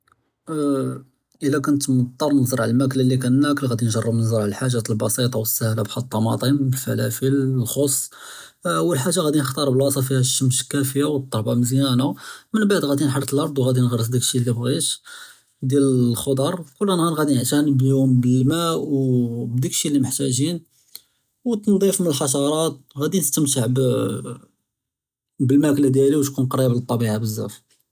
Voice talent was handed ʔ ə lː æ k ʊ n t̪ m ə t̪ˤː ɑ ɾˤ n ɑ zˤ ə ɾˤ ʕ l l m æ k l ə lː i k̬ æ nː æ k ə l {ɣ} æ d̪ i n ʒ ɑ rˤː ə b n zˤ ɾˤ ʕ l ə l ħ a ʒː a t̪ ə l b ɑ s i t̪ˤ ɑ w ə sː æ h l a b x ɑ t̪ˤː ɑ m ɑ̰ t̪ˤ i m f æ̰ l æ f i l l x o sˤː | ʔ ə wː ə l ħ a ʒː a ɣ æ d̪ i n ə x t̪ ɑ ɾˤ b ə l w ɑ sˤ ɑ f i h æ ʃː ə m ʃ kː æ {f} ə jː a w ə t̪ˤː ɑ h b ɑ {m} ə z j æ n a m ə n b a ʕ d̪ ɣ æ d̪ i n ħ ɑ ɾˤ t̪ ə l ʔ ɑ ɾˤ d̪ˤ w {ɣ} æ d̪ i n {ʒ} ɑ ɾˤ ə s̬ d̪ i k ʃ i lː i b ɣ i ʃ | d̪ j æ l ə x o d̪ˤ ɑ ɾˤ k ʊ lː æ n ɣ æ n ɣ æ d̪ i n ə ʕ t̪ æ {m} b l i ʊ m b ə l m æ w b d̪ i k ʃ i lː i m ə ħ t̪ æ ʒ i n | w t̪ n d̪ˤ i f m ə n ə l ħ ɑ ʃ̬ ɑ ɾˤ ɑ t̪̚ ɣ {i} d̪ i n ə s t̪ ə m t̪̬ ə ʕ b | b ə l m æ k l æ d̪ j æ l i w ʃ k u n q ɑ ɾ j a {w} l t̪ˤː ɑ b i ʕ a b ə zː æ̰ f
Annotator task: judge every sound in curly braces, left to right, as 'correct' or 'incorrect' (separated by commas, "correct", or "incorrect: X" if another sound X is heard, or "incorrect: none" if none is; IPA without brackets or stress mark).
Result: correct, correct, correct, correct, incorrect: ɣ, incorrect: n, incorrect: æ, incorrect: b